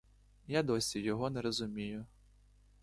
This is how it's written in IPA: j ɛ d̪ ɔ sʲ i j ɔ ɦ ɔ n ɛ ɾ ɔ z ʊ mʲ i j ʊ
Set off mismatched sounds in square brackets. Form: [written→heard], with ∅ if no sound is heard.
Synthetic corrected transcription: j [ɛ→a] d̪ ɔ sʲ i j ɔ ɦ ɔ n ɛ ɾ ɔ z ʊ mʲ i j ʊ